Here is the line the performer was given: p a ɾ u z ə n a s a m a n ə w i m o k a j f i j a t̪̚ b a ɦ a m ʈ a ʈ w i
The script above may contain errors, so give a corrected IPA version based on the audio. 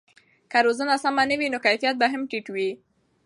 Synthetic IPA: k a ɾ o z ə n a s a m a n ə w i n o k a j f i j a t̪̚ b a ɦ a m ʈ i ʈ w i